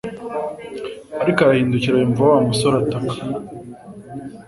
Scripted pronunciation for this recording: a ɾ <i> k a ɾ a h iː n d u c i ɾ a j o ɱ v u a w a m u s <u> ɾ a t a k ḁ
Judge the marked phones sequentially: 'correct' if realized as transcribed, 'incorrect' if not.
correct, incorrect: o

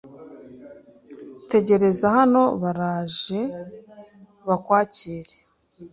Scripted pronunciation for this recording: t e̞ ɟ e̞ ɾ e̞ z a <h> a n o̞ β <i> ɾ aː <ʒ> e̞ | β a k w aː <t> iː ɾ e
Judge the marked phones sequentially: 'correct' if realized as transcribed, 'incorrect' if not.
correct, incorrect: a, correct, incorrect: c

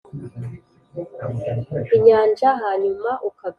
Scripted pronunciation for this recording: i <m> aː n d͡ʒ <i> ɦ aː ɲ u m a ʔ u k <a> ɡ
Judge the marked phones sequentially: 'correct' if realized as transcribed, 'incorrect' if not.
incorrect: ɲ, incorrect: a, correct

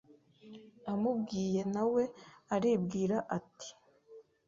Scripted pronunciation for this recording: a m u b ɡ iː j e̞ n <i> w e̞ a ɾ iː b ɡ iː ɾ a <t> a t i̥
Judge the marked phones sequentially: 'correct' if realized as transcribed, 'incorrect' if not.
incorrect: a, incorrect: ʔ

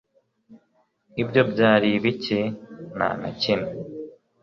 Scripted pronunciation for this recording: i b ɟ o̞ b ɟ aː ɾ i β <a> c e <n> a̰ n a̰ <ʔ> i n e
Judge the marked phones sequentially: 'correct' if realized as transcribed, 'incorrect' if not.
incorrect: i, correct, incorrect: c

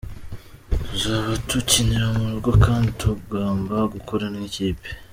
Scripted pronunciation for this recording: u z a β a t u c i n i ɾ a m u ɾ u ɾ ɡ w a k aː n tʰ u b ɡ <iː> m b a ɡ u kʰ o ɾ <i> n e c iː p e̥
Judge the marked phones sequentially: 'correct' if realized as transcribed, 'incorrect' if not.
incorrect: aː, incorrect: a

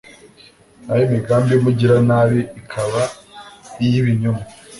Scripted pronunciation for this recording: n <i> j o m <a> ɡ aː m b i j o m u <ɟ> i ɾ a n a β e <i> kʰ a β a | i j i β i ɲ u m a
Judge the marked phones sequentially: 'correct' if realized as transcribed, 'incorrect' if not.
incorrect: a, incorrect: i, correct, correct

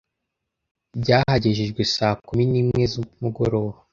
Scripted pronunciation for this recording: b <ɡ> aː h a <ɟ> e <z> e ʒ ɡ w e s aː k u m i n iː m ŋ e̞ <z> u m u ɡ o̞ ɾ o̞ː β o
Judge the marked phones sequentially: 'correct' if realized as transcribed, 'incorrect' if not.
incorrect: ɟ, correct, incorrect: ʒ, correct

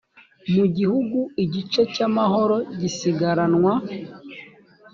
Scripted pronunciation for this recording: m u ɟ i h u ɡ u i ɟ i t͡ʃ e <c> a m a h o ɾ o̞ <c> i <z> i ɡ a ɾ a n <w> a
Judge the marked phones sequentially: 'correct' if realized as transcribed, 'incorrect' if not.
correct, incorrect: ɟ, incorrect: s, correct

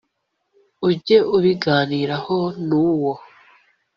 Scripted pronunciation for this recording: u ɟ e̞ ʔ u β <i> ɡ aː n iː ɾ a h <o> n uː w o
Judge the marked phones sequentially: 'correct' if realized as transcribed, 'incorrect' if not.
correct, correct

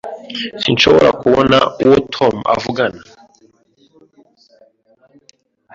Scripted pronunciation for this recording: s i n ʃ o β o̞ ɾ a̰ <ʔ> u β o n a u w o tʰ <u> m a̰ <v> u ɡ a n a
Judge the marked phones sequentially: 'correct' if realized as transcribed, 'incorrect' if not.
incorrect: k, incorrect: o, correct

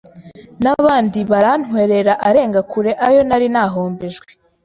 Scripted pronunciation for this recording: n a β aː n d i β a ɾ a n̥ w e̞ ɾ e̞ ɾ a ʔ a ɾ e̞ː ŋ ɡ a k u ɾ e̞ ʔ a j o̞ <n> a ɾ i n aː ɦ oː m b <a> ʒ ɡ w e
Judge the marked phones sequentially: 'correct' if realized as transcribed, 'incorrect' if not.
correct, incorrect: e

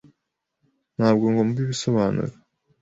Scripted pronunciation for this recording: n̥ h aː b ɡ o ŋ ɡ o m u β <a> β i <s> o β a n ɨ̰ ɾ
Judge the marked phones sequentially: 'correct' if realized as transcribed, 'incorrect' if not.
incorrect: i, correct

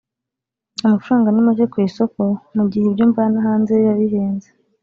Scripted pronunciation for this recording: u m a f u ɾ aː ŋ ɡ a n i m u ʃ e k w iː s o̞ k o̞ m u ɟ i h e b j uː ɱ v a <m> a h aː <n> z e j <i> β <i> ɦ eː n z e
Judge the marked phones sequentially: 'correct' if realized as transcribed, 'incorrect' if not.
incorrect: n, correct, incorrect: a, correct

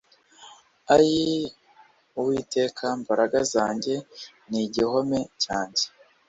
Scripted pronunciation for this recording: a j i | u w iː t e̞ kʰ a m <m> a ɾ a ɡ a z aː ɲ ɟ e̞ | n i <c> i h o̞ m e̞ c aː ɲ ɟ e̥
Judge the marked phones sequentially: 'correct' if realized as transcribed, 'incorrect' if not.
incorrect: b, incorrect: ɟ

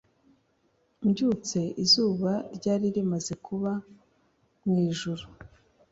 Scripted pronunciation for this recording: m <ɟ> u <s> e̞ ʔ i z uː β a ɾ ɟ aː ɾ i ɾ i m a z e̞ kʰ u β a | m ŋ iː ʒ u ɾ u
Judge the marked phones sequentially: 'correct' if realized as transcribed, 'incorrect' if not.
correct, incorrect: t͡s

